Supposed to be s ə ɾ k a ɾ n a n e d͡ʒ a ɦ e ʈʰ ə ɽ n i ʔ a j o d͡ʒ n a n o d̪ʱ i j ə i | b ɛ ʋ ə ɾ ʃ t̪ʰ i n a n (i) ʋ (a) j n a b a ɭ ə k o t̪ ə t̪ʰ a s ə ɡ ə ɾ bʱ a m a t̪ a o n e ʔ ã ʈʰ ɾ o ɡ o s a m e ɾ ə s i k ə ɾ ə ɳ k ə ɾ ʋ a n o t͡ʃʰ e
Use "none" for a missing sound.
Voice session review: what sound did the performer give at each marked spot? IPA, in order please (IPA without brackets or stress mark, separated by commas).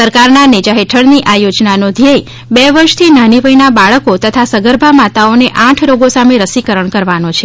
i, ə